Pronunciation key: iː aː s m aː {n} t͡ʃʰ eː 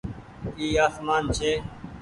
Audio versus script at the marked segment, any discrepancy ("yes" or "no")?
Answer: no